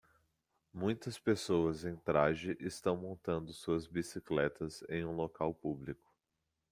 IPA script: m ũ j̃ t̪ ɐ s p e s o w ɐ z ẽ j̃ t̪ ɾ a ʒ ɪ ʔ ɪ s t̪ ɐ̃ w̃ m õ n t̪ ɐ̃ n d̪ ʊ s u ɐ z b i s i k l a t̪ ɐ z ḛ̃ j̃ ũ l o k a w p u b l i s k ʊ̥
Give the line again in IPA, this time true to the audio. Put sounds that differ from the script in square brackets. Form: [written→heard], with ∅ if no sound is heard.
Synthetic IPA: m ũ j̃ t̪ ɐ s p e s o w ɐ z ẽ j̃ t̪ ɾ a ʒ ɪ ʔ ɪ s t̪ ɐ̃ w̃ m õ n t̪ ɐ̃ n d̪ ʊ s u ɐ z b i s i k l [a→ɛ] t̪ ɐ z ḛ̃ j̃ ũ l o k a w p u b l i [s→∅] k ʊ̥